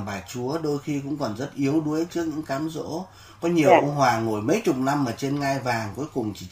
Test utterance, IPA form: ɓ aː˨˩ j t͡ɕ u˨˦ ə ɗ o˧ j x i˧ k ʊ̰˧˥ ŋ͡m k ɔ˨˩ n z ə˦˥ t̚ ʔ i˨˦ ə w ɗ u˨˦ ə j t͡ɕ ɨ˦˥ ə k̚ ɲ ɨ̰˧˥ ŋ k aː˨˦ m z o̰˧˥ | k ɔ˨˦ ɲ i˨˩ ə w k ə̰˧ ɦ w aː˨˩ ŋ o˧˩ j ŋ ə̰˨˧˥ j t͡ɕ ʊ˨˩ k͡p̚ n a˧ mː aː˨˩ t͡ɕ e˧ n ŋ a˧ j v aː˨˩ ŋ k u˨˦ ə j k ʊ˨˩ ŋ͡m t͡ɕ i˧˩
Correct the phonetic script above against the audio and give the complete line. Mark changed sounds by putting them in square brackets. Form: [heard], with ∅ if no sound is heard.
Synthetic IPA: ɓ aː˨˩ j t͡ɕ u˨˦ ə ɗ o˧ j x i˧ k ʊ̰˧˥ ŋ͡m k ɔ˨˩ n z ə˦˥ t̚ ʔ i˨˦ ə w ɗ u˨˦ ə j t͡ɕ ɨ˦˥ ə k̚ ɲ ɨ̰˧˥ ŋ k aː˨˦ m z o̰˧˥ | k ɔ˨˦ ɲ i˨˩ ə w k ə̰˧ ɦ w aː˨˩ ŋ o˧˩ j [m] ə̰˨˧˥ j t͡ɕ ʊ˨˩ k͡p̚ n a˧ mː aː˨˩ t͡ɕ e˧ n ŋ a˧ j v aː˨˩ ŋ k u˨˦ ə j k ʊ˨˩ ŋ͡m t͡ɕ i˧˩